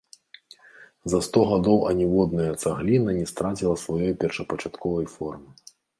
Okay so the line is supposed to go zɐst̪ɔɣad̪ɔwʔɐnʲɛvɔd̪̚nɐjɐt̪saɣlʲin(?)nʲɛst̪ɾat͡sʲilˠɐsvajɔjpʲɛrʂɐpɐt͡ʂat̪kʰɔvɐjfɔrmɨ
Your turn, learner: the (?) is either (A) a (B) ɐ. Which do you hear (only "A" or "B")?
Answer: B